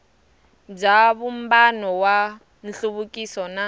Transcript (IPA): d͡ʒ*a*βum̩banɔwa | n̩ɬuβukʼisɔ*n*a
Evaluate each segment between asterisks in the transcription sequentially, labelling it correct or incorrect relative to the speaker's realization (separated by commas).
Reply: correct, correct